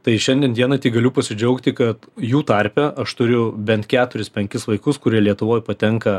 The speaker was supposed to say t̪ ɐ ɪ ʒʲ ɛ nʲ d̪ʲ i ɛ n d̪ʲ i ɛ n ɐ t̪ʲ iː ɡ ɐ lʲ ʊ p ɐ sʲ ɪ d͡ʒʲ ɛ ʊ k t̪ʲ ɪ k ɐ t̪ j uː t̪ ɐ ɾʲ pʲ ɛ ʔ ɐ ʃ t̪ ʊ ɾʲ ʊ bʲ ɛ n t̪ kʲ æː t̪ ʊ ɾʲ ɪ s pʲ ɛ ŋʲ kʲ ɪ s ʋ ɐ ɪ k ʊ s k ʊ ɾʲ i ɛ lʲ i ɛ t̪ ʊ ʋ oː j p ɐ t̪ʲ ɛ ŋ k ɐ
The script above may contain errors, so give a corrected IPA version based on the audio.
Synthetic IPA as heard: t̪ ɐ ɪ ʃʲ ɛ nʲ d̪ʲ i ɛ n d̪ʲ i ɛ n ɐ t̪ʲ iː ɡ ɐ lʲ ʊ p ɐ sʲ ɪ d͡ʒʲ ɛ ʊ k t̪ʲ ɪ k ɐ t̪ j uː t̪ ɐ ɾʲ pʲ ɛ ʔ ɐ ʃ t̪ ʊ ɾʲ ʊ bʲ ɛ n t̪ kʲ æː t̪ ʊ ɾʲ ɪ s pʲ ɛ ŋʲ kʲ ɪ s ʋ ɐ ɪ k ʊ s k ʊ ɾʲ i ɛ lʲ i ɛ t̪ ʊ ʋ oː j p ɐ t̪ʲ ɛ ŋ k ɐ